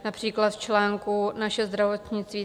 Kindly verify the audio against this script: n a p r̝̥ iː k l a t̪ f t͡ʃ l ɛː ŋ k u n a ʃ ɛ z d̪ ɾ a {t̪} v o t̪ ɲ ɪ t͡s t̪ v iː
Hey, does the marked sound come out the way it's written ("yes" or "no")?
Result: no